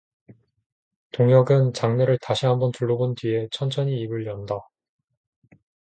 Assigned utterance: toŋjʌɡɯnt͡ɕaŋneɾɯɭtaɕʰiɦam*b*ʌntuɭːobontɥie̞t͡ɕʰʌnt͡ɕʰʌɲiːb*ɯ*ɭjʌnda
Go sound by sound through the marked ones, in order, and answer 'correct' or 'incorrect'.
correct, correct

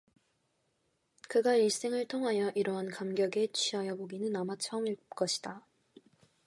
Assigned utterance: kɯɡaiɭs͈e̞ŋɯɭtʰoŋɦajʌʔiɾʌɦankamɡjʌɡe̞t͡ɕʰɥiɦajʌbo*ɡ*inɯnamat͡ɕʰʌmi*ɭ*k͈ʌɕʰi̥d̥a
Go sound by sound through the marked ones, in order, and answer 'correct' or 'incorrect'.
correct, correct

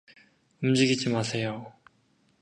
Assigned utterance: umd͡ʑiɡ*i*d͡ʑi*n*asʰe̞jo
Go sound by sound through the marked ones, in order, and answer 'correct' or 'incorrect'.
correct, incorrect: m

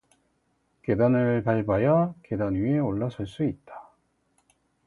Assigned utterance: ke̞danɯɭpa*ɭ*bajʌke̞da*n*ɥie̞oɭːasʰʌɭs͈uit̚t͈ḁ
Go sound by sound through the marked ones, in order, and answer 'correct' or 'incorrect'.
correct, correct

